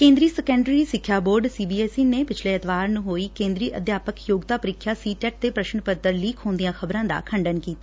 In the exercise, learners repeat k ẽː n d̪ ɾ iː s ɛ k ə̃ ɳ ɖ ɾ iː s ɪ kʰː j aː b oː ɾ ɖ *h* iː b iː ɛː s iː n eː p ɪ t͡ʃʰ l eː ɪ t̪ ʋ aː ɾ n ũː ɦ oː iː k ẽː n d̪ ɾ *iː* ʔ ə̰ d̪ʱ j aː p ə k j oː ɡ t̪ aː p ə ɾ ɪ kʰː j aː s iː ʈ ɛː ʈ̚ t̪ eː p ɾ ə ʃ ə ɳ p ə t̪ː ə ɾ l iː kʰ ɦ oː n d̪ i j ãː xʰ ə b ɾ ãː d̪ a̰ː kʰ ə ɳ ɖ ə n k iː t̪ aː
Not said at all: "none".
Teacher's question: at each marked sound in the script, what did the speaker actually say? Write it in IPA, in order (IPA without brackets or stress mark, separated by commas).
s, iː